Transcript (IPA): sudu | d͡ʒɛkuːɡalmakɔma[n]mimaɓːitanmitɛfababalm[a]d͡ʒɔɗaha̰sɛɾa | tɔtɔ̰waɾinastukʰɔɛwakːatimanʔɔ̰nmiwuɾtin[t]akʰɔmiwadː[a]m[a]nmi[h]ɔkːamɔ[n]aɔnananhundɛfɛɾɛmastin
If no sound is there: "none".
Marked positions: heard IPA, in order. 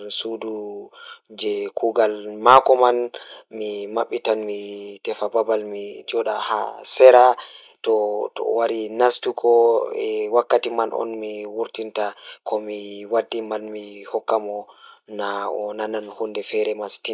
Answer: n, i, t, i, a, h, n

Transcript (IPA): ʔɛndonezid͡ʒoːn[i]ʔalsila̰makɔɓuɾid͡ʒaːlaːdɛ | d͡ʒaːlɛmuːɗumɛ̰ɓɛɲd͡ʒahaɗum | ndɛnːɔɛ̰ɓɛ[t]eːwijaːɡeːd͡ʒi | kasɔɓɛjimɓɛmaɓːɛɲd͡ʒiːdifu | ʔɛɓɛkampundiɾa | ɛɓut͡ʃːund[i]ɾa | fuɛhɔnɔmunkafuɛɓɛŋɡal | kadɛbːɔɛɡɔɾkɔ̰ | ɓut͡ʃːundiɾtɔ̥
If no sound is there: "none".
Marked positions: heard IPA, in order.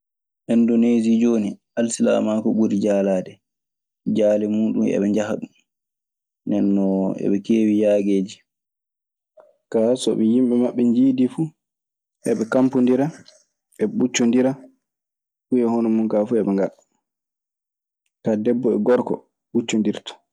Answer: i, k, i

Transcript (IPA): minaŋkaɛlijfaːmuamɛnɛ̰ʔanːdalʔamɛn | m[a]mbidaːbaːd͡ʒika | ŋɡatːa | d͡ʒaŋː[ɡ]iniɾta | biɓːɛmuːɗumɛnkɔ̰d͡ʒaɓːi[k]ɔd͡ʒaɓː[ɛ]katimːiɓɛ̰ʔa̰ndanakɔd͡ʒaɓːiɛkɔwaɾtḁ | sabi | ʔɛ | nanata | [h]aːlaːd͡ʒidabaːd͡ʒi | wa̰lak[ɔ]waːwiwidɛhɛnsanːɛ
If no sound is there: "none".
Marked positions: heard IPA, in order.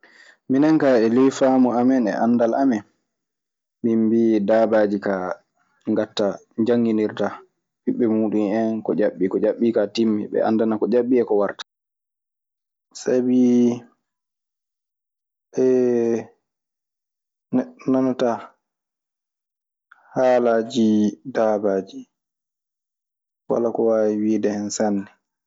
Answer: i, ɡ, k, i, h, ɔ

